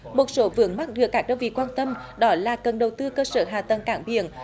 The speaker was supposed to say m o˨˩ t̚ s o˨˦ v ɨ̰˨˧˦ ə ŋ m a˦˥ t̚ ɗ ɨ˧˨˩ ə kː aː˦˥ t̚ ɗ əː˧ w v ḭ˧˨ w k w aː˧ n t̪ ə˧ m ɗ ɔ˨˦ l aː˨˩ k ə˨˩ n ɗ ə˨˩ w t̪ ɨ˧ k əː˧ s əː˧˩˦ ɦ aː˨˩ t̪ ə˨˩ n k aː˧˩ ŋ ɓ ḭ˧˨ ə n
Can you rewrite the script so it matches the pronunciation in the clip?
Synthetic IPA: m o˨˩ t̚ s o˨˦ v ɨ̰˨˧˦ ə ŋ m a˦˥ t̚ ɗ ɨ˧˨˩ ə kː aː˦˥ k̚ ɗ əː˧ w v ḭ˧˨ k w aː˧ n t̪ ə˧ m ɗ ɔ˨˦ l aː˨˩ k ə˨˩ n ɗ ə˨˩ w t̪ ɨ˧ k əː˧ s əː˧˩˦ ɦ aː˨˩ t̪ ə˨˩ n k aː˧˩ ŋ ɓ ḭ˧˨ ə n

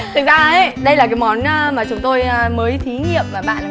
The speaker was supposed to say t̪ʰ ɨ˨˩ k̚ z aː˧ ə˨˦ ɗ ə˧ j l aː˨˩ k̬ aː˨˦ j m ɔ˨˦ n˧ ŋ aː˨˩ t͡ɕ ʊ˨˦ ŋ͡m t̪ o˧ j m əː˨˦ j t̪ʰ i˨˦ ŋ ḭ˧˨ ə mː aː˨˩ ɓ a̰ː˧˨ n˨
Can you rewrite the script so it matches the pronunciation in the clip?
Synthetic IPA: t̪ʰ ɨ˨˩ k̚ z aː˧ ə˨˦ ɗ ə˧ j l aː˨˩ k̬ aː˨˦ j m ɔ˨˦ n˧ m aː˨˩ t͡ɕ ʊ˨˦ ŋ͡m t̪ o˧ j m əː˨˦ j t̪ʰ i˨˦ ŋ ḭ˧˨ ə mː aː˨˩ ɓ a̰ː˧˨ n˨

